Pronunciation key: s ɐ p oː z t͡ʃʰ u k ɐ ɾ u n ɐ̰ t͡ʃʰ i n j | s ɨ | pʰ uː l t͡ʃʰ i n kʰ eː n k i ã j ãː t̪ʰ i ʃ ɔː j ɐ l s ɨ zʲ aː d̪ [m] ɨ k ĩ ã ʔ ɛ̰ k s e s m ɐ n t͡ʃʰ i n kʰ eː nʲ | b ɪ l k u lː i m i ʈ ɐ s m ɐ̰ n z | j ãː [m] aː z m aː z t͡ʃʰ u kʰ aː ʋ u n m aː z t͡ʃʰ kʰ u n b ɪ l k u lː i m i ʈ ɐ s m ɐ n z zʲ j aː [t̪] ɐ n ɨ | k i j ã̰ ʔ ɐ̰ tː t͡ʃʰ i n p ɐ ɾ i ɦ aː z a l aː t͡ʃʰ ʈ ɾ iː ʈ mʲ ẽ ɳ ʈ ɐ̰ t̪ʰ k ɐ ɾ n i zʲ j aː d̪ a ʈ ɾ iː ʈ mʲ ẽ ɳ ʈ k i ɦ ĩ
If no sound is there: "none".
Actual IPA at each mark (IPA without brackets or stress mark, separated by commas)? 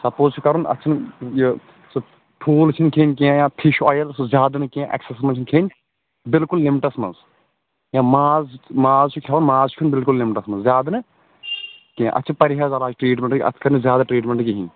n, m, d̪